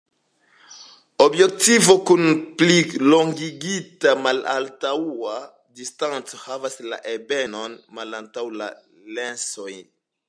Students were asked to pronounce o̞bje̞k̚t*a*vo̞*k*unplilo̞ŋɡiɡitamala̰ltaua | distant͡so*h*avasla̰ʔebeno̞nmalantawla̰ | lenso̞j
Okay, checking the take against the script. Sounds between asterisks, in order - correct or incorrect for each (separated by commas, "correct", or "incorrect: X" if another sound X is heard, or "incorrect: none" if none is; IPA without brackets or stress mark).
incorrect: i, correct, correct